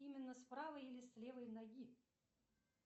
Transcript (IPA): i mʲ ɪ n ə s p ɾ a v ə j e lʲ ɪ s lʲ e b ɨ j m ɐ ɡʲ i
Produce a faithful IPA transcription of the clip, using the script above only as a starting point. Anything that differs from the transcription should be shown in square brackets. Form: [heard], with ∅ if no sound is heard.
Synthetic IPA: i mʲ ɪ [nː] ə s p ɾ a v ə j [i] lʲ ɪ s lʲ e [v] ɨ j [n] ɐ ɡʲ i